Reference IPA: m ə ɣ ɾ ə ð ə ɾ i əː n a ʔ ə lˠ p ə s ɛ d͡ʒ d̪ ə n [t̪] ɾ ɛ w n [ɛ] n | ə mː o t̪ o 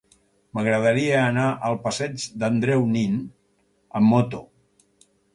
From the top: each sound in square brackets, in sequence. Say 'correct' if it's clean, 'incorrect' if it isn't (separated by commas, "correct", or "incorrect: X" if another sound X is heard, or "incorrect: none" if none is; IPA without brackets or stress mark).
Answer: incorrect: d̪, incorrect: i